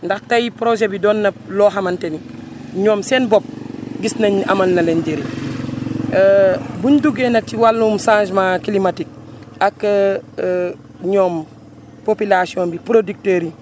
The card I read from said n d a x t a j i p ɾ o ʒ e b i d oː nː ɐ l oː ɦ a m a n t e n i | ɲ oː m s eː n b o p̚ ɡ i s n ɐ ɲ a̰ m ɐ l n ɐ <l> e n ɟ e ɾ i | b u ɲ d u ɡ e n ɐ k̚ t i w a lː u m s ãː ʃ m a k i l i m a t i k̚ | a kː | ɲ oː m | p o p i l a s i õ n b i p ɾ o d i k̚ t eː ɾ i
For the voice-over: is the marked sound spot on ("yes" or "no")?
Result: yes